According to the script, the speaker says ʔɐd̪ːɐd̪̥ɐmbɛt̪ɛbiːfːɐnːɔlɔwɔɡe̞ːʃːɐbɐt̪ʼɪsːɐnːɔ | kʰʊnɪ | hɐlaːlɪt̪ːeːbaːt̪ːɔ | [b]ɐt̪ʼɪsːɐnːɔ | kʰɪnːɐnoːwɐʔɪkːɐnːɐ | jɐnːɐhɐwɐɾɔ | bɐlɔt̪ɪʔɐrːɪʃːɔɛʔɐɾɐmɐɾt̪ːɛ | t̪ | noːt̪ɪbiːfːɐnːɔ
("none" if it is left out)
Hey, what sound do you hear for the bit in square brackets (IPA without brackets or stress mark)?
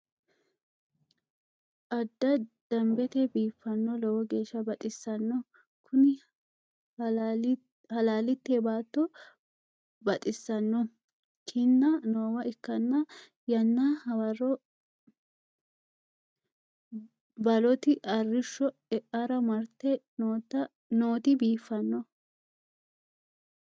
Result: b